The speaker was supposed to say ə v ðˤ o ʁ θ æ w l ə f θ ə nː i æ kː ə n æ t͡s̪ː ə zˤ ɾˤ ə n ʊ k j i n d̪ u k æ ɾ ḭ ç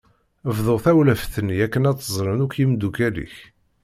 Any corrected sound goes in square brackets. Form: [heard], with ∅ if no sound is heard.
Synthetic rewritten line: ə v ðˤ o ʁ θ æ w l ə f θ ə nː i æ kː ə n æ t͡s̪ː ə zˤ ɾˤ ə n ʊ k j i [m] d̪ u k æ [l] ḭ ç